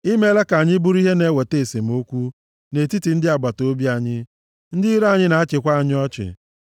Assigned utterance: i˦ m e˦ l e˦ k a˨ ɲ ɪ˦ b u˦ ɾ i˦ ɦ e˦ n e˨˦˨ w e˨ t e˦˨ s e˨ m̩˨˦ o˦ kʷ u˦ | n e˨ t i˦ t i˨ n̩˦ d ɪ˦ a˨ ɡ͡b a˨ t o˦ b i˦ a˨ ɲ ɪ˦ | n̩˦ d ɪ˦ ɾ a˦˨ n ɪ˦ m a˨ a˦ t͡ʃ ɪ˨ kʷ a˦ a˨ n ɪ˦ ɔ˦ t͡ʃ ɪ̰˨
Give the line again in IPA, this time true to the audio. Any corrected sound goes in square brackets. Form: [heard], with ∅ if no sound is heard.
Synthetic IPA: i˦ m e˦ l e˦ k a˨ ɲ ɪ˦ b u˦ ɾ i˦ ɦ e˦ n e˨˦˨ w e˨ t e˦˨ s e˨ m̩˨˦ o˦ kʷ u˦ | n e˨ t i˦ t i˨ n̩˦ d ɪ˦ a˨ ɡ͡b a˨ t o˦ b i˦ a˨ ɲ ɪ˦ | n̩˦ d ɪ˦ ɾ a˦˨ [ɲ] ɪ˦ [n] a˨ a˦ t͡ʃ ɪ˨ kʷ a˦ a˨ [ɲ] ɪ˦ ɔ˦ t͡ʃ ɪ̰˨